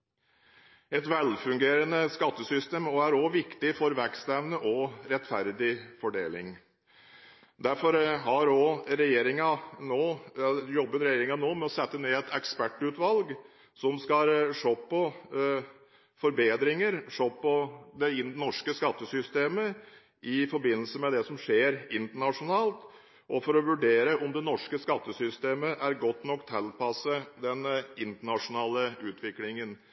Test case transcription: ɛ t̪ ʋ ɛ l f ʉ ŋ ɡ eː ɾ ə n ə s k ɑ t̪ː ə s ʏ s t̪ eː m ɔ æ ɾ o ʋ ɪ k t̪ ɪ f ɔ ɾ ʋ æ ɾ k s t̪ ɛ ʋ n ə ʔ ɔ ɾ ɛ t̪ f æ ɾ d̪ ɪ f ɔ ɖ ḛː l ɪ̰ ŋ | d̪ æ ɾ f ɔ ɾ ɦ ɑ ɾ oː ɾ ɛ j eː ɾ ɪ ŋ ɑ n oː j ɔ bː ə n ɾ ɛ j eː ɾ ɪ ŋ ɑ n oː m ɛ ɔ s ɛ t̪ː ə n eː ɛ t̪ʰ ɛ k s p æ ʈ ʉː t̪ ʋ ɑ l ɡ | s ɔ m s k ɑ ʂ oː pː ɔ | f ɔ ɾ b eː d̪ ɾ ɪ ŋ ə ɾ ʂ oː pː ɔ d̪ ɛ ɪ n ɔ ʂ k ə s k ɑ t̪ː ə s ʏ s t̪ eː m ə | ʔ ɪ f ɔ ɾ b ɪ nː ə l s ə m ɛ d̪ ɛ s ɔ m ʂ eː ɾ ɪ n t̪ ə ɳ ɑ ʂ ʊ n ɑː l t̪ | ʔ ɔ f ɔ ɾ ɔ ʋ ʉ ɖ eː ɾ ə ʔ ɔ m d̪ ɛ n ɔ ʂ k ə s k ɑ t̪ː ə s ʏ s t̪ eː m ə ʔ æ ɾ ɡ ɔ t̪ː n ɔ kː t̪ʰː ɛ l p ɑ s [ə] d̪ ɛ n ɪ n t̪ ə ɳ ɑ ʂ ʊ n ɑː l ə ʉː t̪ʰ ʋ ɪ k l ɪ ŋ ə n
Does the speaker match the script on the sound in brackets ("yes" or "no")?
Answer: yes